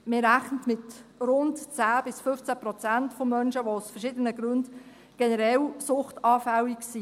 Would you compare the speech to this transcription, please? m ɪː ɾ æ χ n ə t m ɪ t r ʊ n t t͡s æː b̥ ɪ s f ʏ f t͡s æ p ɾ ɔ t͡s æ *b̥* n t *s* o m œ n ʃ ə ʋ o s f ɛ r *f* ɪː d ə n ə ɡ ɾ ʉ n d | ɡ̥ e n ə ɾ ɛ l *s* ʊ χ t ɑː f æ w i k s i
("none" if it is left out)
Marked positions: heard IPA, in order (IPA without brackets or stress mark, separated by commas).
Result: none, f, ʃ, s